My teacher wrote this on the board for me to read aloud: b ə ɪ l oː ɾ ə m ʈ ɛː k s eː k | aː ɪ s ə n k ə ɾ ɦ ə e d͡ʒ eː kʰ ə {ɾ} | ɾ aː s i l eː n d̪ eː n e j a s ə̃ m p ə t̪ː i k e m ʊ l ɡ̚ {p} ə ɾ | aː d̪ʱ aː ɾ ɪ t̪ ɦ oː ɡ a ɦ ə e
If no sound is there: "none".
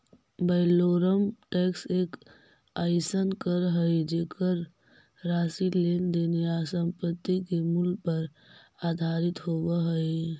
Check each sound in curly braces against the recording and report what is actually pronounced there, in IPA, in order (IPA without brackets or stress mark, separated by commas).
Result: ɾ, p